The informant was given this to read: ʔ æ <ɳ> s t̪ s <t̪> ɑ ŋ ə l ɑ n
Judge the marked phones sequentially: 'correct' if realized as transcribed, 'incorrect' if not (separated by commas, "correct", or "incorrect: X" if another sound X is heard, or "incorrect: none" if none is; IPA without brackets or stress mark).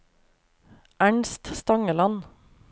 correct, correct